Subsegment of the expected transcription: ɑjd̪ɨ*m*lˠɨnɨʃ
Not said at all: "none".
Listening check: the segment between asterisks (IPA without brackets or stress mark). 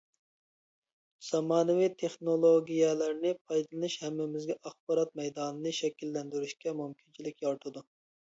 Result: none